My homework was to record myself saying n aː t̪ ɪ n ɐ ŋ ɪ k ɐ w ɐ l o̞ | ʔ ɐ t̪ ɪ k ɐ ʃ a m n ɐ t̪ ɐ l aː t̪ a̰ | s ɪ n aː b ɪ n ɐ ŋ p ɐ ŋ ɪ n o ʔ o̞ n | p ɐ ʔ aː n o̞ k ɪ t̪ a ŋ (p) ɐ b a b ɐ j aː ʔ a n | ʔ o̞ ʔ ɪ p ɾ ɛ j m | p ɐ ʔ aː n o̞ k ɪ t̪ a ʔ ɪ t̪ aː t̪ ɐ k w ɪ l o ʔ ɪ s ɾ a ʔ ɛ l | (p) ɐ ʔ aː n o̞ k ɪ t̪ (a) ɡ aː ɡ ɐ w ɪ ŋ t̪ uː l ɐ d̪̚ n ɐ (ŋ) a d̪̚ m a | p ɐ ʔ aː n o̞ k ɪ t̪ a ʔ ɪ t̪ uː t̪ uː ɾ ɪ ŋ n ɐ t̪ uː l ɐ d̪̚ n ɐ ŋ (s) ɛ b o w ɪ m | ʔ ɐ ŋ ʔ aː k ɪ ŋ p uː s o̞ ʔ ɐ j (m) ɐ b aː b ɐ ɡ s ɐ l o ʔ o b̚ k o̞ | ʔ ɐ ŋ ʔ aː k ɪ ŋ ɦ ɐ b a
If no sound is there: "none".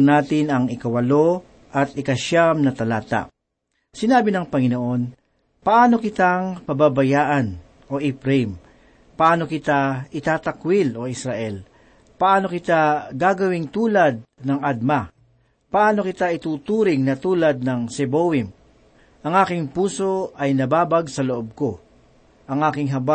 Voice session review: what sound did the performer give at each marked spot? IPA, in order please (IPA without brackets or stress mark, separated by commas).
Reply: p, p, a, ŋ, s, n